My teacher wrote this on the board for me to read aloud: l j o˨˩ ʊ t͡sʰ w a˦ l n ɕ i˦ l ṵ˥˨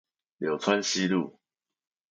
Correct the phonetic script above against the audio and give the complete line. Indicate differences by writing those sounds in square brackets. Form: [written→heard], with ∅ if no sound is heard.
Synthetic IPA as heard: l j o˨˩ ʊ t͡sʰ w a˦ [l→∅] n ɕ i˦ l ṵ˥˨